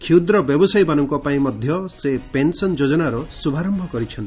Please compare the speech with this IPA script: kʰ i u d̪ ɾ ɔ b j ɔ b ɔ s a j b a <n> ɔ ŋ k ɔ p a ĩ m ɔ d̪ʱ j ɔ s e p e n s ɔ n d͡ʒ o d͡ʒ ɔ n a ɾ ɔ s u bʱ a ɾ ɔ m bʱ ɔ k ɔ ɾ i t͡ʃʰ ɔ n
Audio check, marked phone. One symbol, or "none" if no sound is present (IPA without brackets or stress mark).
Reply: n